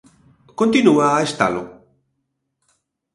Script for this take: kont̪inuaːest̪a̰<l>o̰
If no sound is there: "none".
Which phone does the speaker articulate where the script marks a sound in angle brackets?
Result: l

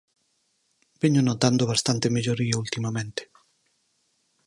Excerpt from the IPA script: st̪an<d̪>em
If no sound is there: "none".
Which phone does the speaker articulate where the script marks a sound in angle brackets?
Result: t̪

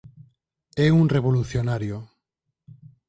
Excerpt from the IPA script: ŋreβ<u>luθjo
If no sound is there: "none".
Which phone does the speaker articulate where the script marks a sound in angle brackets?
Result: o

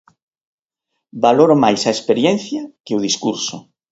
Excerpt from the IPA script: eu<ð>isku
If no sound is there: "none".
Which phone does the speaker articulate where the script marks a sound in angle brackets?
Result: ð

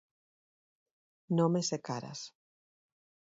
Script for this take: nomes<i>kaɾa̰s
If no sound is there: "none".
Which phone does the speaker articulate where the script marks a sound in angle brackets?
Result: e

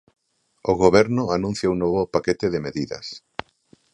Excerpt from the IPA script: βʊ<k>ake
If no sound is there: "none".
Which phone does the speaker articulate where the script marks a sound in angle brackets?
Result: p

